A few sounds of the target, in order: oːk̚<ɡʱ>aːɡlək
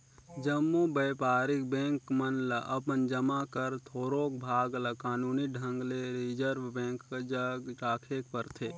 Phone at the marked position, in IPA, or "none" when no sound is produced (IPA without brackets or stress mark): bʱ